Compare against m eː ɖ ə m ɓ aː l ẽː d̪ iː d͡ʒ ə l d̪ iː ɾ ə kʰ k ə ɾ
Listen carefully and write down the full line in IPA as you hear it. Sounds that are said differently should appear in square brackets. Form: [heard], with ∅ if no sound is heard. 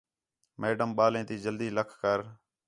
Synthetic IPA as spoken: m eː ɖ ə m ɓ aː l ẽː [t̪] iː d͡ʒ ə l d̪ iː [l] ə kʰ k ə ɾ